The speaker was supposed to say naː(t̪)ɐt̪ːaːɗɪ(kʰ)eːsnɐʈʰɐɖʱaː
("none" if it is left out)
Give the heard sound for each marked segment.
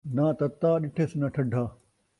t̪, ʈʰ

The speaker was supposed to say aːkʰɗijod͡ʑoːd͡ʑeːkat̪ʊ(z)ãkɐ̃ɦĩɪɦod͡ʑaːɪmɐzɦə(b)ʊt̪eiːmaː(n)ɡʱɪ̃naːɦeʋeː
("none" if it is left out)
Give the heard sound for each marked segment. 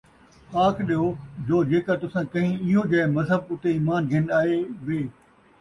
s, b, n

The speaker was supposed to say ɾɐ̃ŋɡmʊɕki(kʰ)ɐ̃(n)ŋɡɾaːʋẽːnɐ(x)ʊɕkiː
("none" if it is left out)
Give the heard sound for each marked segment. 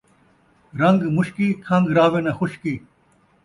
kʰ, none, x

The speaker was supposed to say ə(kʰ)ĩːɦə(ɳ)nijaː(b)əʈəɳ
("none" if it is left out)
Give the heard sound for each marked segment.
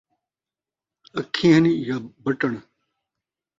kʰ, none, b

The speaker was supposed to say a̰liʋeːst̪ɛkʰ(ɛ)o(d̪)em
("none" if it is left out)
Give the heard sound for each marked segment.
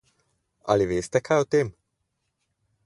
a, t̪

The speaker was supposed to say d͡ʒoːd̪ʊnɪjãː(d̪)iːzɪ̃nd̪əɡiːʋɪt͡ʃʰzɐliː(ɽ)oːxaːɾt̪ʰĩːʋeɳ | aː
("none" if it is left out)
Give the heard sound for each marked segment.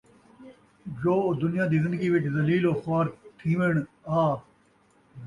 d̪, l

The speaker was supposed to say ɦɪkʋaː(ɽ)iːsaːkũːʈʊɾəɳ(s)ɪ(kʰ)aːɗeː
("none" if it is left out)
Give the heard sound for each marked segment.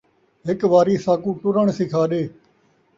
ɾ, s, kʰ

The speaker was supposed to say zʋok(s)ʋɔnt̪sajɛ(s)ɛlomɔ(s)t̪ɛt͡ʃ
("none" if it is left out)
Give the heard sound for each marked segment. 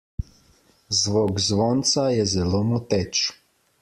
z, z, none

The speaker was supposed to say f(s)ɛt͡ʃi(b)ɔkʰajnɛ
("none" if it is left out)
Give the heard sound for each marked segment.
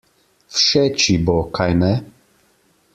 ʃ, b

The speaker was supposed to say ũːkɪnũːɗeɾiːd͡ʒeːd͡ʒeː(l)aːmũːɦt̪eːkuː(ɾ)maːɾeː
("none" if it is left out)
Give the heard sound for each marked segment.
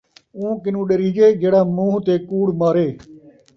ɽ, ɽ

